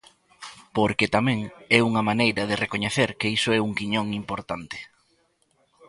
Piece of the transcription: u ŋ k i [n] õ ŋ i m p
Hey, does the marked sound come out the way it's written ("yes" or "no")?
no